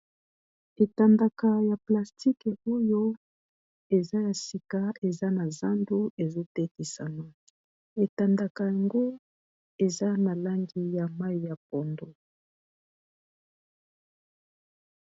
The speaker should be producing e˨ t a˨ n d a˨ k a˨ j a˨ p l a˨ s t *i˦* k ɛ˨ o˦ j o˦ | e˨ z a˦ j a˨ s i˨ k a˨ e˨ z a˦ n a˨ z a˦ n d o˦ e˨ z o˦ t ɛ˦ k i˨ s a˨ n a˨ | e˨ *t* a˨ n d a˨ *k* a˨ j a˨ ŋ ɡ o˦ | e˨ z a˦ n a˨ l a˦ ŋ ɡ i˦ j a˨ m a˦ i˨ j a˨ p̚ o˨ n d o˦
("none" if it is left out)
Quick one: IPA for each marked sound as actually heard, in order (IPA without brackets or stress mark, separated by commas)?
i˦, t, k